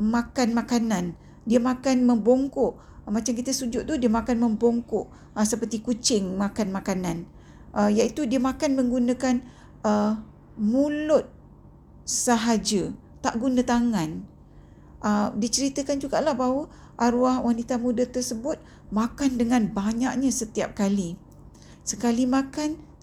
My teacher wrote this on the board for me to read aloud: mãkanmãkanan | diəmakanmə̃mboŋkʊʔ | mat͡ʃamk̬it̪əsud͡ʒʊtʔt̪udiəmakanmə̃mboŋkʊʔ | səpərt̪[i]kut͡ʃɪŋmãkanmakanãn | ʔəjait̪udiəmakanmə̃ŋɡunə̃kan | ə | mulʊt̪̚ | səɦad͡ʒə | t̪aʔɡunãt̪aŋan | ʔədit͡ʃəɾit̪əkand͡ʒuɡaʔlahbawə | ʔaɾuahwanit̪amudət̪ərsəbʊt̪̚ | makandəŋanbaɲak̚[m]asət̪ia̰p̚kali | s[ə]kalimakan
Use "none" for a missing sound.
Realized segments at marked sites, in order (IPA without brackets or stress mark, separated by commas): i, ɲ, ə